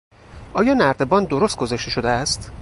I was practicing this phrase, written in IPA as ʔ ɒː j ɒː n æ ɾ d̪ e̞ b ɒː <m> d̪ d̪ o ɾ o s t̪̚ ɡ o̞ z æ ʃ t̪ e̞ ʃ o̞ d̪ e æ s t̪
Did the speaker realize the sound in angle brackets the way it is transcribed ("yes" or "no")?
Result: no